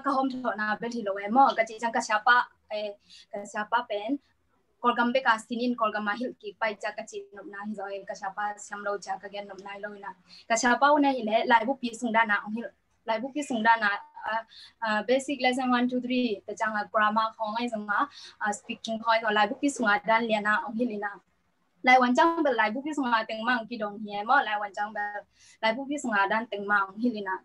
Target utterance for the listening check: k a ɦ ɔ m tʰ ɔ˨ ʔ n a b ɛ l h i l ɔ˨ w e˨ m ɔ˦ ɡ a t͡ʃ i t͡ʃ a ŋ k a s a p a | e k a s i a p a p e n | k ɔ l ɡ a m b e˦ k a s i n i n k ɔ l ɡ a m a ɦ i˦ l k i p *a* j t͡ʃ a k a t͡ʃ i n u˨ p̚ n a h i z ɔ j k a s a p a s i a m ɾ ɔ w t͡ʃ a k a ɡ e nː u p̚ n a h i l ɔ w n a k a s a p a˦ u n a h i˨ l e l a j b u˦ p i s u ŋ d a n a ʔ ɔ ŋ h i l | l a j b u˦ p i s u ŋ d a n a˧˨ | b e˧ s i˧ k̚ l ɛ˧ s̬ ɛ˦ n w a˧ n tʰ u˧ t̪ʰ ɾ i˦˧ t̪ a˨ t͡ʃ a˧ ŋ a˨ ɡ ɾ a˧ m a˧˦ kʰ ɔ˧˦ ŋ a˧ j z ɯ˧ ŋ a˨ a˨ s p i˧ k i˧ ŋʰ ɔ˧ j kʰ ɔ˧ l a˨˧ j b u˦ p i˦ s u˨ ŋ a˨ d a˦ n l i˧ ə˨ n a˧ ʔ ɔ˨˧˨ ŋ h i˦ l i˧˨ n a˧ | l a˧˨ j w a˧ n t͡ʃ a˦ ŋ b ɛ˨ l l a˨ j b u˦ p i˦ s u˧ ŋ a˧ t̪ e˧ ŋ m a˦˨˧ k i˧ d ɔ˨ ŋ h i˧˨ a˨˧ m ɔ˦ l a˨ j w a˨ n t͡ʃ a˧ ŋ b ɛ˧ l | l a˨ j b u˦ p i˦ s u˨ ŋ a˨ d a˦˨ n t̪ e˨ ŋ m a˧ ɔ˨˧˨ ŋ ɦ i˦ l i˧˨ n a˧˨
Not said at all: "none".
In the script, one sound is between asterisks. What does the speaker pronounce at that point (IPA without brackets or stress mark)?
a